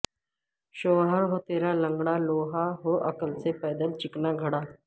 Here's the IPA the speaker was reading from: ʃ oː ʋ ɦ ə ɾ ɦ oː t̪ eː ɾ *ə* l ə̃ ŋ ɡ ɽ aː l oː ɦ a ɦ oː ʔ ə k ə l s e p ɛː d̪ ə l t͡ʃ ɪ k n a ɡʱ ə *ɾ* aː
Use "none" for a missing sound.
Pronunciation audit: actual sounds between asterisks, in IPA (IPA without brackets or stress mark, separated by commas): a, ɽ